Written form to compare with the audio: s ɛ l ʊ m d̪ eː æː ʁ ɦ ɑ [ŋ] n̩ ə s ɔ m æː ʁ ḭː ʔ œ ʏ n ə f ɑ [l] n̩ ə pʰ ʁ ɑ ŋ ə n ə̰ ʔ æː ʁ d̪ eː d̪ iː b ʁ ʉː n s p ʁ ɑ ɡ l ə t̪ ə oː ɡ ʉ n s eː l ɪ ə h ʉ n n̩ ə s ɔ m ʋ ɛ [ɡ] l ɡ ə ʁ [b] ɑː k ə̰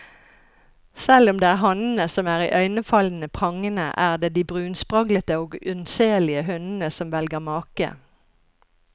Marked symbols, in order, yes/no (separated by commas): no, yes, no, no